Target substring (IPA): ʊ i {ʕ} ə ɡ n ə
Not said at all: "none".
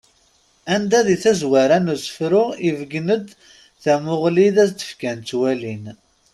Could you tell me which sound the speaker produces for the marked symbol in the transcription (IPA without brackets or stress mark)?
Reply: v